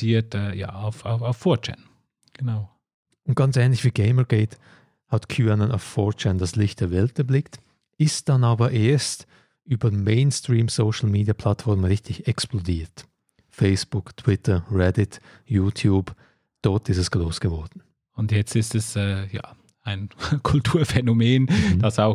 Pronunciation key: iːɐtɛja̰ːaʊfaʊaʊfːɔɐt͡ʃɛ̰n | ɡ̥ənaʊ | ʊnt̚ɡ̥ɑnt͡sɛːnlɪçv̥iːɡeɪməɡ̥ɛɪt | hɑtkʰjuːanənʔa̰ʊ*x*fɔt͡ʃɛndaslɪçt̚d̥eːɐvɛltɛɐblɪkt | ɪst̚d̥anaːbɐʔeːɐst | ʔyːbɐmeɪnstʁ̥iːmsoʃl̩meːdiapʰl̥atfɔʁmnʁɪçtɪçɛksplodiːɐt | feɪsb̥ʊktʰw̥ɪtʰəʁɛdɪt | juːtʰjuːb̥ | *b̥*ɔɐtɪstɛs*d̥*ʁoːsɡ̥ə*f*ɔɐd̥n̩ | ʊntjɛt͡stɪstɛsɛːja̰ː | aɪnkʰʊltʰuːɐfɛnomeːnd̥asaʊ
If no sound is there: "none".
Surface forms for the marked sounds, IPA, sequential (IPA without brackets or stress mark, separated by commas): f, d̥, ɡ̥, v